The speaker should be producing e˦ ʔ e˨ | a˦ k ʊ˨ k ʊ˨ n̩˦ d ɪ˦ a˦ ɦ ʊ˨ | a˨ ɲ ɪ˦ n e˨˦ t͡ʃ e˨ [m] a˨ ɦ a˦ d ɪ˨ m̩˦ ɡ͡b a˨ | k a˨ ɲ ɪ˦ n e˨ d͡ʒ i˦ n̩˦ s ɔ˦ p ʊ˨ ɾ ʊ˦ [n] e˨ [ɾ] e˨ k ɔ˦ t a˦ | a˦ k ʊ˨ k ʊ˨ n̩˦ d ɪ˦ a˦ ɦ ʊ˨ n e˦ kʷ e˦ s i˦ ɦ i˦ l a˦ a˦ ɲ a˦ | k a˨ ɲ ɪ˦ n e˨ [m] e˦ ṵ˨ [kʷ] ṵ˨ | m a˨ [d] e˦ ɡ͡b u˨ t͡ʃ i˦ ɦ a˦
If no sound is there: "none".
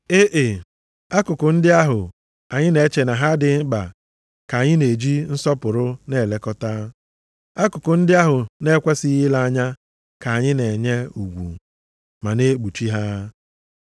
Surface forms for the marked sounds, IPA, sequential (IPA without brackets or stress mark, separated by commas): n, n, l, ɲ, ɡʷ, n